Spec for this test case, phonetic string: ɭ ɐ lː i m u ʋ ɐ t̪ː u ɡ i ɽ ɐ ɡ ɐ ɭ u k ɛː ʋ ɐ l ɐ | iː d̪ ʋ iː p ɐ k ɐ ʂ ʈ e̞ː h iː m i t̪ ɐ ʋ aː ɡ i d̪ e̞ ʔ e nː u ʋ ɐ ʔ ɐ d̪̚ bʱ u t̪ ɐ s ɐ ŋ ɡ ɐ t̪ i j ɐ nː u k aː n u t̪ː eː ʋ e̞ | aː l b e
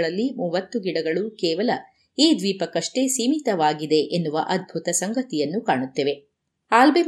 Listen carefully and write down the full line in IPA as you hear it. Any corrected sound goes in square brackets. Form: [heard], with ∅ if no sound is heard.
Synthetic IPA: ɭ ɐ lː i m [uː] ʋ ɐ t̪ː u ɡ i ɽ ɐ ɡ ɐ ɭ u k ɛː ʋ ɐ l ɐ | iː d̪ ʋ iː p ɐ k ɐ ʂ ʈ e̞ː [s] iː m i t̪ ɐ ʋ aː ɡ i d̪ e̞ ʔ e nː u ʋ ɐ ʔ ɐ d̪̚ bʱ u t̪ ɐ s ɐ ŋ ɡ ɐ t̪ i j ɐ nː u k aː [ɳ] u t̪ː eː ʋ e̞ | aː l b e